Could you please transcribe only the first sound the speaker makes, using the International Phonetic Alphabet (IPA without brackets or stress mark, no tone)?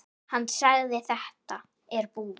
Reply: h